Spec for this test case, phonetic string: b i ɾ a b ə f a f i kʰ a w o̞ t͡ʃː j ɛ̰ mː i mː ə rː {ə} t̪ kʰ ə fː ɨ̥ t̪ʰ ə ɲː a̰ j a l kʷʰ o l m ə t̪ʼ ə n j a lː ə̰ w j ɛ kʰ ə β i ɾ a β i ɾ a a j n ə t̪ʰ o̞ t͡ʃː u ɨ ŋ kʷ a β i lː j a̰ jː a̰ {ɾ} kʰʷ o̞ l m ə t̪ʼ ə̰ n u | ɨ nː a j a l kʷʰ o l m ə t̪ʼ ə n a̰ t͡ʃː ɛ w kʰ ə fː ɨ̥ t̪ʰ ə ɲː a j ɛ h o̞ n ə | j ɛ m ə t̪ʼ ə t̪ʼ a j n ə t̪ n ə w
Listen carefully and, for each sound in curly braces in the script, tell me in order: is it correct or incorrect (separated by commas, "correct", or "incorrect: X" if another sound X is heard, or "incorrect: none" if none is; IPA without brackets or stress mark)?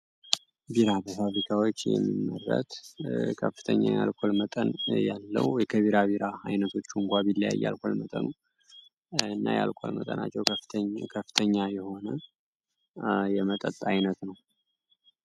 correct, incorrect: l